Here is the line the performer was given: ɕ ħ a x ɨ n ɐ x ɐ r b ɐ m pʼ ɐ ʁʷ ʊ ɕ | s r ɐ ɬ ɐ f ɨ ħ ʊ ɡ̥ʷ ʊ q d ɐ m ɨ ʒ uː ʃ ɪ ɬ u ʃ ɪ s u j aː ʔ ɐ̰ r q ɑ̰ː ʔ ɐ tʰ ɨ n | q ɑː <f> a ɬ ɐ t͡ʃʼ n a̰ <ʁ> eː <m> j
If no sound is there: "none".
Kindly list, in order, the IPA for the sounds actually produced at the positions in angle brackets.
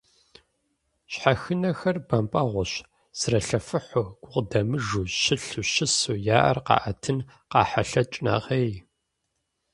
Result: ħ, ʁ, none

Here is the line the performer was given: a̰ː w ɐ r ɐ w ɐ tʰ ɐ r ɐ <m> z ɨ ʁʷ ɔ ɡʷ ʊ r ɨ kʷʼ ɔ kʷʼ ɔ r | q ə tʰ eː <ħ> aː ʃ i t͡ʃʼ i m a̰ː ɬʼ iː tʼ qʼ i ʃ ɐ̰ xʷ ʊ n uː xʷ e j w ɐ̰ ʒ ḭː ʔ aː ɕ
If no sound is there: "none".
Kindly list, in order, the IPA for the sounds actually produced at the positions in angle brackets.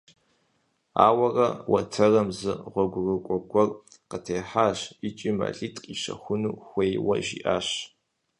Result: m, ħ

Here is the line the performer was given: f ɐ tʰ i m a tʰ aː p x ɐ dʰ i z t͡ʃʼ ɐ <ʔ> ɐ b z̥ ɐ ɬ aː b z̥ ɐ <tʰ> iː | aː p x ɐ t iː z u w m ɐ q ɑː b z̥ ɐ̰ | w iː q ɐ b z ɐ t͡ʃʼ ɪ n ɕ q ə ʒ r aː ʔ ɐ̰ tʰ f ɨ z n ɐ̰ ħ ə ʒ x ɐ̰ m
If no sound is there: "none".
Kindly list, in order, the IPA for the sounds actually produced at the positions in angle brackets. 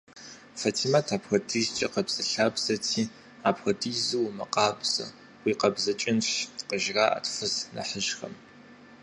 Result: q, tʰ

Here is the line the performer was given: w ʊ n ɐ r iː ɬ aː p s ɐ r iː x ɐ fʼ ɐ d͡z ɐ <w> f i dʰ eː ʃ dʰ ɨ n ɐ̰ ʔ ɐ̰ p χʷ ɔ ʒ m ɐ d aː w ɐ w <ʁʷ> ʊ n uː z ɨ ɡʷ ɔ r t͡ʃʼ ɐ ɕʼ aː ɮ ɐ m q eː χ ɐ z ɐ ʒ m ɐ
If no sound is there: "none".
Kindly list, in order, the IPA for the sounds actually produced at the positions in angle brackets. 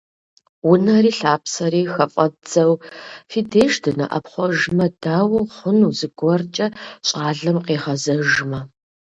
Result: w, χʷ

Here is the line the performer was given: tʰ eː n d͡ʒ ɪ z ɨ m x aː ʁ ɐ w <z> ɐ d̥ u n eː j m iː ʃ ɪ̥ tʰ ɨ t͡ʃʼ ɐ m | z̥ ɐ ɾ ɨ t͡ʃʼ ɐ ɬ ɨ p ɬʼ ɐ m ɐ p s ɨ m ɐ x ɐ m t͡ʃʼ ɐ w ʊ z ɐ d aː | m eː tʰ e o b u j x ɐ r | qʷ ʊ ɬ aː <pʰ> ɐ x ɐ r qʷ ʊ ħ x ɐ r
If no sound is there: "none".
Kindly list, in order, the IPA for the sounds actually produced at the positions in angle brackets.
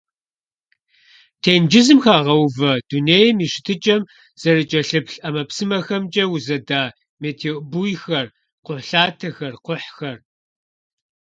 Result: v, tʰ

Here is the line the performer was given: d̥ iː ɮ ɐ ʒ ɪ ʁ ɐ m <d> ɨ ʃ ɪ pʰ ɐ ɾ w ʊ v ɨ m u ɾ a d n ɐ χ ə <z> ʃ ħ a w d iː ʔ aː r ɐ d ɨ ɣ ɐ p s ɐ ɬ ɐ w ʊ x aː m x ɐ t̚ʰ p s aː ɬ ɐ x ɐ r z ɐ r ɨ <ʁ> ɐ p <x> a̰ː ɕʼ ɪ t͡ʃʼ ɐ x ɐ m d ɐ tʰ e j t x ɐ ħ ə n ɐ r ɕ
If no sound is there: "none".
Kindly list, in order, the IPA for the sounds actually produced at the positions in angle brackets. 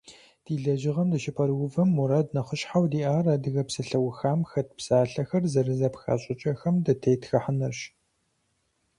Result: d, none, z, x

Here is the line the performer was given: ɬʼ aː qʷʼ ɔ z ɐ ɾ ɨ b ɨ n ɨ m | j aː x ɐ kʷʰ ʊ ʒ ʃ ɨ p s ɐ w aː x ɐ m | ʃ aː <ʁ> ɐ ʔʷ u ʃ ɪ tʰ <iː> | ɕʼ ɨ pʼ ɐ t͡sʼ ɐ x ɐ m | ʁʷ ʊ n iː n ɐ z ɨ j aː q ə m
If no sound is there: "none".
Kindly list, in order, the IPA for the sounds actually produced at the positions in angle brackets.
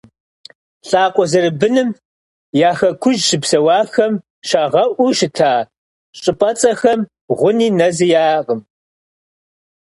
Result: ʁ, aː

